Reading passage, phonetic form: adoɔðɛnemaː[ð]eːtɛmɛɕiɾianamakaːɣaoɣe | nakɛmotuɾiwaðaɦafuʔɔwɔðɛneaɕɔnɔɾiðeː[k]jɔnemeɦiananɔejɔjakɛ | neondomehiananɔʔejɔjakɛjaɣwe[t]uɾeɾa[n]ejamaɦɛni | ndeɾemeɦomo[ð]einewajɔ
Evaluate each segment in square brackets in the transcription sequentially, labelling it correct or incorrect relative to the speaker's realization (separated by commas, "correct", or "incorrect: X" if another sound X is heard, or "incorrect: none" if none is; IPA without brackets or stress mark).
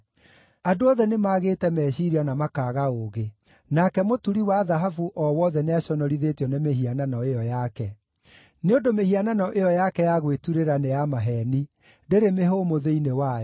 incorrect: ɣ, incorrect: t, correct, correct, correct